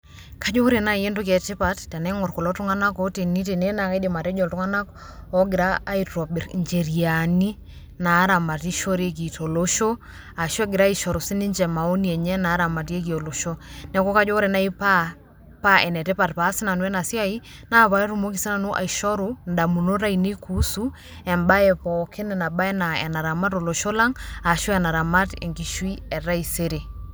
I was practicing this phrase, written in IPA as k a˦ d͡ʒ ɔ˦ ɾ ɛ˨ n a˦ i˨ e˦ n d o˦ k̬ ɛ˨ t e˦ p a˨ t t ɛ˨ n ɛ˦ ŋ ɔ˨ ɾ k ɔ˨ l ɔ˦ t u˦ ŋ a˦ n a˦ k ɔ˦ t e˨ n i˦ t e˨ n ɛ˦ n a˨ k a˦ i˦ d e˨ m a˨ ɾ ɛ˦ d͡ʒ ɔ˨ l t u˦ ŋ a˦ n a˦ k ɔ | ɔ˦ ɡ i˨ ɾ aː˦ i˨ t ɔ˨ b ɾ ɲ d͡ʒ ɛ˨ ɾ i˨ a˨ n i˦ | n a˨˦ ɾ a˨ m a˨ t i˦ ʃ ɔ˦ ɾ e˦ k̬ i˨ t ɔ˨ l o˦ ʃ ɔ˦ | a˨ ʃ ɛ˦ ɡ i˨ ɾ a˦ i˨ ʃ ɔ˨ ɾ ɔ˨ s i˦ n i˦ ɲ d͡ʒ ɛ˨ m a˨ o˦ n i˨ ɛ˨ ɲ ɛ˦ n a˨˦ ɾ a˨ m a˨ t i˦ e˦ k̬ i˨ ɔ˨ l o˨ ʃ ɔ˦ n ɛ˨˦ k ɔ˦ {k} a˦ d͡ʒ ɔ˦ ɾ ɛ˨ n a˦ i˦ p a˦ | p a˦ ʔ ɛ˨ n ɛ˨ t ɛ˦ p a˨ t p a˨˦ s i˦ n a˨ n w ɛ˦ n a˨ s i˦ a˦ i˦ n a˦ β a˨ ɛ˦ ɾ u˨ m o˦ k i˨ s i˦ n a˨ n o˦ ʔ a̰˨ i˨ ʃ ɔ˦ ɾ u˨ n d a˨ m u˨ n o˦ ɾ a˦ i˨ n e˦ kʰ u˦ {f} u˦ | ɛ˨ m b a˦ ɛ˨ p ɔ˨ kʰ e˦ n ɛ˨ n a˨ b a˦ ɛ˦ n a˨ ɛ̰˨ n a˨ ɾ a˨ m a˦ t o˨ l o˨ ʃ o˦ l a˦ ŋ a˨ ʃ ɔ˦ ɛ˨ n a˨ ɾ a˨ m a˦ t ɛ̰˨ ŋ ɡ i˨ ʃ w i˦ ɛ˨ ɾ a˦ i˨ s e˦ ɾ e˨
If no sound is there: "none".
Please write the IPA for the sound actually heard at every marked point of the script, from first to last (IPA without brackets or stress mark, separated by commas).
k, s